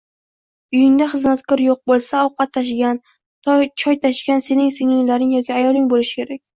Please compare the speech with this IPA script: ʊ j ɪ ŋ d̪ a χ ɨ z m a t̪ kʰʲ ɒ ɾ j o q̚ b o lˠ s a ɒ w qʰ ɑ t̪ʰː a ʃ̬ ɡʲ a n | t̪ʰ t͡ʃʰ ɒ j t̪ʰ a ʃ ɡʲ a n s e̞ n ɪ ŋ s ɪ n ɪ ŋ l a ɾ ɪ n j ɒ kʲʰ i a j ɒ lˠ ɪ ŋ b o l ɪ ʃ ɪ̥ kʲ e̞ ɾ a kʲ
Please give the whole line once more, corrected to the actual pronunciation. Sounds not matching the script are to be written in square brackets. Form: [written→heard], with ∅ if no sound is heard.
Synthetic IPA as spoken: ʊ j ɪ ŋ d̪ a χ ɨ z m a t̪ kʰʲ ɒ ɾ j o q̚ b o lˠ s a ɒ w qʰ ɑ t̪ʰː a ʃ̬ ɡʲ a n | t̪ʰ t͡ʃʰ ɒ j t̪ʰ a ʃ ɡʲ a n s e̞ n ɪ ŋ s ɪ [n→ŋ] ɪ ŋ l a ɾ ɪ [n→ŋ] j ɒ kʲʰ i a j ɒ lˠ ɪ ŋ b o l ɪ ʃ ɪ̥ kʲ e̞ ɾ a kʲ